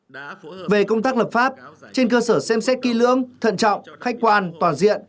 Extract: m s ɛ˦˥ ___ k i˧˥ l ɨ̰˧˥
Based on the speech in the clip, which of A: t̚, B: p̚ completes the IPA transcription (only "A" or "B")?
A